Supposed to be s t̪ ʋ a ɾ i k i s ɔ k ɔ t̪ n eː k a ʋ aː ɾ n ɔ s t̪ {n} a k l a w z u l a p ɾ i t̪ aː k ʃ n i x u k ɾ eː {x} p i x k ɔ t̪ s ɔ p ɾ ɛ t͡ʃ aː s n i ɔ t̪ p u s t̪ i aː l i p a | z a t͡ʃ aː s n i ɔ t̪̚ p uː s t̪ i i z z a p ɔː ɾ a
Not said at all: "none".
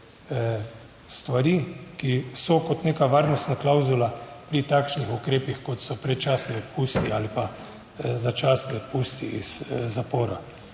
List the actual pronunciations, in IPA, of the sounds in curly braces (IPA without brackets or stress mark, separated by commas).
n, none